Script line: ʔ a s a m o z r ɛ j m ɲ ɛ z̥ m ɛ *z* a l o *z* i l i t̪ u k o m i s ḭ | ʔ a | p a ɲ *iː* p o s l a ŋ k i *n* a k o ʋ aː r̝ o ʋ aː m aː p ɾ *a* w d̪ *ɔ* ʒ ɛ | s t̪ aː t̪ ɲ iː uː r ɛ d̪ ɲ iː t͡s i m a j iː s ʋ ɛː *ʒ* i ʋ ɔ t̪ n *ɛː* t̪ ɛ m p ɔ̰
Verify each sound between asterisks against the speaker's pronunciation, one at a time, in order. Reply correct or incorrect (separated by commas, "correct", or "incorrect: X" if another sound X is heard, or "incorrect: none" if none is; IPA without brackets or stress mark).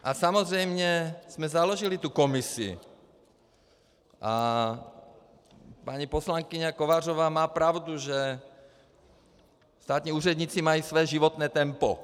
correct, incorrect: ʒ, incorrect: i, incorrect: ɲ, correct, incorrect: u, correct, correct